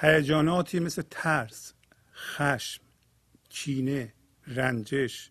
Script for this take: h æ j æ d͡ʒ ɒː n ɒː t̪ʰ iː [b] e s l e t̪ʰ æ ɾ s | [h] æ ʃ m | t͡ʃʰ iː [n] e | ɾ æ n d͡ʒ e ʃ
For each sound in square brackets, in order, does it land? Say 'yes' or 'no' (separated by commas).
no, no, yes